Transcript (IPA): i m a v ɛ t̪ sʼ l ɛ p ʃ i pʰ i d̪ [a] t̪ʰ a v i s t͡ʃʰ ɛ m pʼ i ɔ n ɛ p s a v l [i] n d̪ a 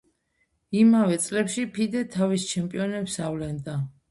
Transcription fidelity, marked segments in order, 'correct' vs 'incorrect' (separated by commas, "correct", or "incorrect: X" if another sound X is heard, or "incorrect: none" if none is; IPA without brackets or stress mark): incorrect: ɛ, incorrect: ɛ